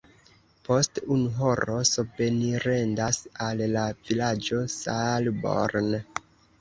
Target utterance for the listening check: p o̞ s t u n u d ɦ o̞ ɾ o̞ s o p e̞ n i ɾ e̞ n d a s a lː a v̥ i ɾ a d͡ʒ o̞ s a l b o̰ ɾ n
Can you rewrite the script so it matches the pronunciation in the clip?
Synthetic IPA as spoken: p o̞ s t u n u ɦ o̞ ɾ o̞ s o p e̞ n i ɾ e̞ n d a s a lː a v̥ i l a d͡ʒ o̞ s a l b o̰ ɾ n